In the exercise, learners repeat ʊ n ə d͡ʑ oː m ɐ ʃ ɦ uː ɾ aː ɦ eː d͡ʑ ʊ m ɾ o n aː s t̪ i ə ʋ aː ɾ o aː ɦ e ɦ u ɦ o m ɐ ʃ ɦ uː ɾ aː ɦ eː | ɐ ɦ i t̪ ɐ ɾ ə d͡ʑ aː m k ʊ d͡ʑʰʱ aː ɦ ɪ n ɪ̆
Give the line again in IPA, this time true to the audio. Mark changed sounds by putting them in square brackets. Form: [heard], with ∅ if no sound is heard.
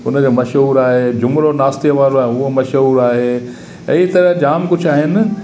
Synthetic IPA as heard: ʊ n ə d͡ʑ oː m ɐ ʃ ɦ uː ɾ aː ɦ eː d͡ʑ ʊ m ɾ o n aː s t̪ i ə ʋ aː ɾ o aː ɦ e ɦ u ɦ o m ɐ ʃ ɦ uː ɾ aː ɦ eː | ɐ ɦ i t̪ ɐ ɾ ə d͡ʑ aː m k ʊ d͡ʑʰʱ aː ɦ ɪ n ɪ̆